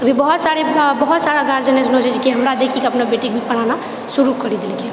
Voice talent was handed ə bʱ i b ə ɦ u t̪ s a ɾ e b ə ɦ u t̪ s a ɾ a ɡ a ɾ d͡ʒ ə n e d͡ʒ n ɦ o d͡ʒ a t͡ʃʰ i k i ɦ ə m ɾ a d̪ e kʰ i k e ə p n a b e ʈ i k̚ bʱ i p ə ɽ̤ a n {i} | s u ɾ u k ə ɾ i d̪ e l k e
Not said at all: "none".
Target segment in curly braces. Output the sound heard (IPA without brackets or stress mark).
a